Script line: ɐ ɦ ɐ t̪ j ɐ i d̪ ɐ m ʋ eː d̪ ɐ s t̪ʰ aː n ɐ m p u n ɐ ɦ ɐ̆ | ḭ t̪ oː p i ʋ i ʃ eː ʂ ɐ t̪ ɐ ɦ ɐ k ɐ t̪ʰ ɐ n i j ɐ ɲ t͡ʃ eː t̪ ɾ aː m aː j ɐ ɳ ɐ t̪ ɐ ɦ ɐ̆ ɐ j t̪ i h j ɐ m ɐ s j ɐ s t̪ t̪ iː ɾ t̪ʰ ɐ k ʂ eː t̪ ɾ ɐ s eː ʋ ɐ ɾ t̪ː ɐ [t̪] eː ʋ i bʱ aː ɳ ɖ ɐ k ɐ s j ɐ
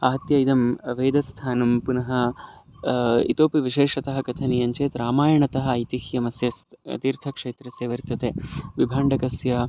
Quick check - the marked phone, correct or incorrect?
correct